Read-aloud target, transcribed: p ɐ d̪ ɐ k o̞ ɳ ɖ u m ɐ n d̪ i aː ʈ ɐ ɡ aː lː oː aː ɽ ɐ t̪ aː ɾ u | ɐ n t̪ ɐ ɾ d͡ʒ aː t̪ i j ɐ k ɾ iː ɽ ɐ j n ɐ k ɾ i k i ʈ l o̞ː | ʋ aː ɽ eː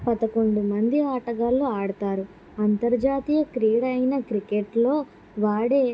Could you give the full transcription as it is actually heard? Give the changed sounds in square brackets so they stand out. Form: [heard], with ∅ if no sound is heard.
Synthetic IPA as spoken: p ɐ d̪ ɐ k o̞ ɳ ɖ u m ɐ n d̪ i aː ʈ ɐ ɡ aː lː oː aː ɽ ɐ t̪ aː ɾ u | ɐ n t̪ ɐ ɾ d͡ʒ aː t̪ i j ɐ k ɾ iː ɽ ɐ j n ɐ k ɾ i k [e] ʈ l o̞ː | ʋ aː ɽ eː